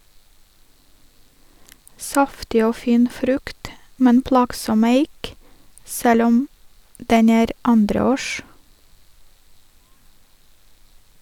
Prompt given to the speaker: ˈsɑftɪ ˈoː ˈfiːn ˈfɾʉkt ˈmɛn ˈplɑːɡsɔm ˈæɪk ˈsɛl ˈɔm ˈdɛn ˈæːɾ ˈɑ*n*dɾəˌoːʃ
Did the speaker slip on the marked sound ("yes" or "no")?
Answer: no